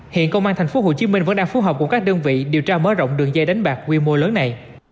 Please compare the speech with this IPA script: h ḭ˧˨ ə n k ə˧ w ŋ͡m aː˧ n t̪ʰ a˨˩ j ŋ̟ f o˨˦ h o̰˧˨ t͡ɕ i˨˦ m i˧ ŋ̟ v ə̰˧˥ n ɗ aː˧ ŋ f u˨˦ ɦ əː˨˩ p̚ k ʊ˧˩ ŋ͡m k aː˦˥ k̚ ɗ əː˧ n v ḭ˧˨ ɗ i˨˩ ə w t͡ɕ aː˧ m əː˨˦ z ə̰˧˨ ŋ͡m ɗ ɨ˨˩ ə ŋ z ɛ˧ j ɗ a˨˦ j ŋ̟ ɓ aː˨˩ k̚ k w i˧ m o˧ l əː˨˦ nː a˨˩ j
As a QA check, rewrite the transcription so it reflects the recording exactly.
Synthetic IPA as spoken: h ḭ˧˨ ə n k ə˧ w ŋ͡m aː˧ n t̪ʰ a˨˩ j ŋ̟ f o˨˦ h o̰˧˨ t͡ɕ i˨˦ m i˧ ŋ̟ v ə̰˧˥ n ɗ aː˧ ŋ f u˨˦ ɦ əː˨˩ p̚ k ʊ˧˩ ŋ͡m k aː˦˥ k̚ ɗ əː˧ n v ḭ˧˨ ɗ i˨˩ ə w t͡ɕ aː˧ m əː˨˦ z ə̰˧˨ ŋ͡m ɗ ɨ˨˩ ə ŋ z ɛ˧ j ɗ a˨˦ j ŋ̟ ɓ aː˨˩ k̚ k w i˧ m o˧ l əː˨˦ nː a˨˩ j